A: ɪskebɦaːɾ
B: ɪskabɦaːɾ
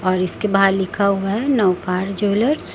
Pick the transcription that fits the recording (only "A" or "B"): A